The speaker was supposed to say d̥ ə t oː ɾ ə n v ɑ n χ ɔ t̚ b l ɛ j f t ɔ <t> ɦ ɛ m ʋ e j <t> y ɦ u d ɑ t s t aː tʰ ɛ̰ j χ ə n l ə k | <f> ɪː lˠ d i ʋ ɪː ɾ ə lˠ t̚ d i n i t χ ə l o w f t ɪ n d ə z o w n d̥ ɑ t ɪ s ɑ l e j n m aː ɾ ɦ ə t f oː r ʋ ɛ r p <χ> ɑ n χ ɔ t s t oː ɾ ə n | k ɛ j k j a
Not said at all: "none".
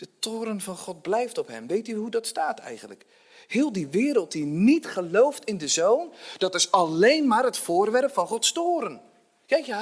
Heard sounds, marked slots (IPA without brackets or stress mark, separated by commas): p, t, h, f